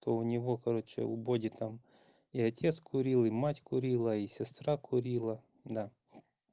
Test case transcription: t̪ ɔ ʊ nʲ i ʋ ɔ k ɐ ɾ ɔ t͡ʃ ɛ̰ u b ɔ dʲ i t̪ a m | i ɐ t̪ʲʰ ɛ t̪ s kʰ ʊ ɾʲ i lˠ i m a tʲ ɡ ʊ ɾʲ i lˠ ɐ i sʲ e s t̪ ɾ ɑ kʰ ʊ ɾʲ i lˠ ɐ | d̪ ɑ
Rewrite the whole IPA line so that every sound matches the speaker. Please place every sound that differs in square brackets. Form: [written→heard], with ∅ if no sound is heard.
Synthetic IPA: t̪ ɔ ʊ nʲ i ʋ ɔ k ɐ ɾ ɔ t͡ʃ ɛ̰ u b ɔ dʲ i t̪ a m | i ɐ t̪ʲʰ ɛ t̪ s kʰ ʊ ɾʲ i lˠ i m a tʲ [ɡ→k] ʊ ɾʲ i lˠ ɐ i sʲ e s t̪ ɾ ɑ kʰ ʊ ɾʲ i lˠ ɐ | d̪ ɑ